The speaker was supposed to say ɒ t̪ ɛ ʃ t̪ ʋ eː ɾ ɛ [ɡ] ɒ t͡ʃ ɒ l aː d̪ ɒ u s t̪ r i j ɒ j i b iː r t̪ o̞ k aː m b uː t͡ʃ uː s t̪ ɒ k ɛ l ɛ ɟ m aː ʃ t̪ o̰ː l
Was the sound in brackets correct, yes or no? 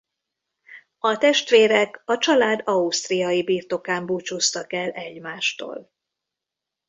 no